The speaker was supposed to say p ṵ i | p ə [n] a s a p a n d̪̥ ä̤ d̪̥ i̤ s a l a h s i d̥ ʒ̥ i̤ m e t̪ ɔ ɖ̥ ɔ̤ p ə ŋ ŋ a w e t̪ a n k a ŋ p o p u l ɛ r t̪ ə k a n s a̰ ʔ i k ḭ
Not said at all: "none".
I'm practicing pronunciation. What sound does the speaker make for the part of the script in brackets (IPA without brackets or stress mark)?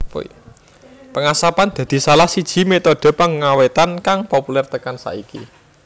ŋ